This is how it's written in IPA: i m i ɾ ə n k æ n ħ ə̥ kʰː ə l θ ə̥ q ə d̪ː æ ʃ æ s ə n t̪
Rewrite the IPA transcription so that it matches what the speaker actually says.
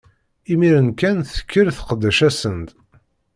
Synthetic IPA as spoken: i m i ɾ ə n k æ n θ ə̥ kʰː ə ɾ θ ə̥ q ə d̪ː æ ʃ æ s ə n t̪